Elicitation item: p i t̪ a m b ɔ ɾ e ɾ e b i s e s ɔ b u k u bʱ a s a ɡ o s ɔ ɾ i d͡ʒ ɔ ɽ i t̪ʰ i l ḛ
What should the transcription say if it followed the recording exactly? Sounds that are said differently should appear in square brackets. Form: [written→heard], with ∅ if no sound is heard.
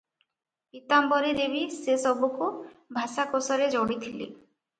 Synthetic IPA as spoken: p i t̪ a m b ɔ ɾ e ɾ e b i s e s ɔ b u k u bʱ a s a [ɡ→k] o s ɔ ɾ [i→e] d͡ʒ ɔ ɽ i t̪ʰ i l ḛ